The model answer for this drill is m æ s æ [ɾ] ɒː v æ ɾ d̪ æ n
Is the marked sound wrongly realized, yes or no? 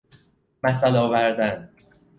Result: yes